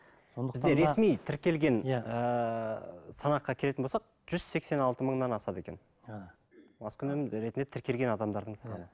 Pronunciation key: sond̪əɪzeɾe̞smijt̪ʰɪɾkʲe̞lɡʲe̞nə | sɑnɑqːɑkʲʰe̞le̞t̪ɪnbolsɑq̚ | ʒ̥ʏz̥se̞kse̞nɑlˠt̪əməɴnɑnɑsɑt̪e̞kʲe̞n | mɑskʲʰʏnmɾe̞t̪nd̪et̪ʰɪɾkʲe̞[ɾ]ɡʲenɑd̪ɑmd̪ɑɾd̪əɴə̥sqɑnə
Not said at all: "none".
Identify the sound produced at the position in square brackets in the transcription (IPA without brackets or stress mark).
l